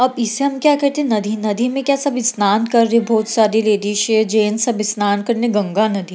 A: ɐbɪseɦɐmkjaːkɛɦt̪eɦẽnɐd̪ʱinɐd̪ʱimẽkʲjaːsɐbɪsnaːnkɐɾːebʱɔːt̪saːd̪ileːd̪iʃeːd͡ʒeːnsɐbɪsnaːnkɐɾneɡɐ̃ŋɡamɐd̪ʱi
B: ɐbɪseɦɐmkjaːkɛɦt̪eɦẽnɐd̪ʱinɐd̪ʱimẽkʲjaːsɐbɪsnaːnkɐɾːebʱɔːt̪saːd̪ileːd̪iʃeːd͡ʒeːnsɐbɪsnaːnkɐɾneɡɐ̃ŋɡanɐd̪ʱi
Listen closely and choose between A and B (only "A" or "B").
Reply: B